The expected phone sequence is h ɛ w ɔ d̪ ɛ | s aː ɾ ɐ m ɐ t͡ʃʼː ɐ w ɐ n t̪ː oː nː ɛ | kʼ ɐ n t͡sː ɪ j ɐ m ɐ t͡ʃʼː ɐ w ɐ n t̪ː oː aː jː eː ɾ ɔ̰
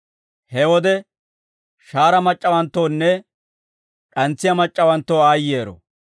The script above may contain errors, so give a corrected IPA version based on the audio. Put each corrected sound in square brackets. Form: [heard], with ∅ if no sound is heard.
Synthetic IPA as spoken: h ɛ w ɔ d̪ ɛ | [ʃ] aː ɾ ɐ m ɐ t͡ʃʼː ɐ w ɐ n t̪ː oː nː ɛ | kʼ ɐ n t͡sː ɪ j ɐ m ɐ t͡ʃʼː ɐ w ɐ n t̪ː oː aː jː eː ɾ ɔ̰